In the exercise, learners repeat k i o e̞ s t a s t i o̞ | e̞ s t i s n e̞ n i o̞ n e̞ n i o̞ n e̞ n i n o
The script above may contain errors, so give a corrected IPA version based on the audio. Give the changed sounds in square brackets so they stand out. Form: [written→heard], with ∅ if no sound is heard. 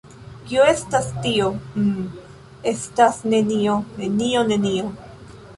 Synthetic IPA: k i o e̞ s t a s t i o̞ | e̞ s t [i→a] s n e̞ n i o̞ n e̞ n i o̞ n e̞ n i [n→∅] o